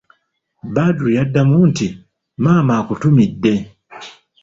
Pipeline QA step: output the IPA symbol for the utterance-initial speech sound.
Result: b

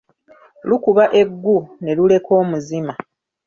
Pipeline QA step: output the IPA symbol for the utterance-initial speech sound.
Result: l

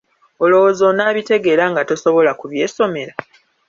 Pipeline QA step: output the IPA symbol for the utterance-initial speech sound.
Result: o̞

